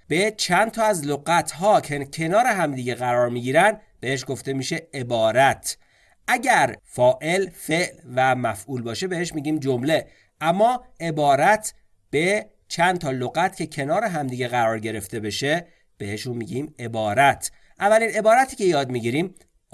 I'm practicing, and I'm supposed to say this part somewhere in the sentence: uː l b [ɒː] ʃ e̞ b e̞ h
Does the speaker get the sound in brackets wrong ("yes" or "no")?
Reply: no